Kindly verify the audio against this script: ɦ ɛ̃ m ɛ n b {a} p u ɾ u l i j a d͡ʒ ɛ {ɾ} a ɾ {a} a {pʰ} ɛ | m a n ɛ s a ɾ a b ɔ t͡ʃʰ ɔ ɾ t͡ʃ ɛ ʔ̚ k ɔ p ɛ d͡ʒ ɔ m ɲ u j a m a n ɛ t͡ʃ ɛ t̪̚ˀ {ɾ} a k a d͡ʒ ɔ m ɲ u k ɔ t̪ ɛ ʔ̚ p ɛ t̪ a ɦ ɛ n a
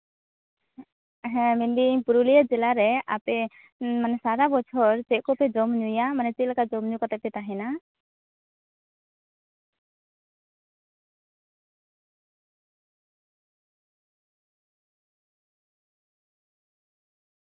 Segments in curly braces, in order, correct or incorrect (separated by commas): incorrect, incorrect, incorrect, incorrect, incorrect